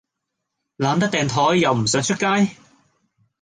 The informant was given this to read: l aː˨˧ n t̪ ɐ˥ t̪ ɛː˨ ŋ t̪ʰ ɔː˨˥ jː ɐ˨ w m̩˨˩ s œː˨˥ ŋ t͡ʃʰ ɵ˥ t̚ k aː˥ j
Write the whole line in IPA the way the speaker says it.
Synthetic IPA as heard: l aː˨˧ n t̪ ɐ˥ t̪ ɛː˨ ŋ t̪ʰ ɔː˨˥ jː ɐ˨ w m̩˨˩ s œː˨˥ ŋ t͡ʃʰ ɵ˥ t̚ k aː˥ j